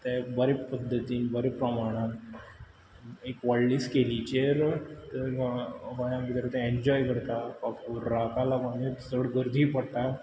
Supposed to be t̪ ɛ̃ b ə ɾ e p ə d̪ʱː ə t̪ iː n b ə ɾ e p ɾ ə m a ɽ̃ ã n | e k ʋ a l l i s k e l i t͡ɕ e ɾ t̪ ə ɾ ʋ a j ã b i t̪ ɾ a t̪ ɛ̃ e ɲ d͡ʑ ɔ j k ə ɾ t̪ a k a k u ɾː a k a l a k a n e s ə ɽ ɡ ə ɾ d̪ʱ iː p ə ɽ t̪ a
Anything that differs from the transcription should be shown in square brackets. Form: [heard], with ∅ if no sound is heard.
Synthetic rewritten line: t̪ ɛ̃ b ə ɾ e p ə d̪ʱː ə t̪ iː n b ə ɾ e p ɾ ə m a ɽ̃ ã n | e k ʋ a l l i s k e l i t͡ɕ e ɾ t̪ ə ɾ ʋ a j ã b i t̪ ɾ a t̪ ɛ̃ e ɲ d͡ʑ ɔ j k ə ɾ t̪ a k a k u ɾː a k a l a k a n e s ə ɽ ɡ ə ɾ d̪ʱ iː p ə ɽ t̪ a